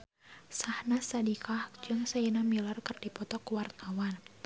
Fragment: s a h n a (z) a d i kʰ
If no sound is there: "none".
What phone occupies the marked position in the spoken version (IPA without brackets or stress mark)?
s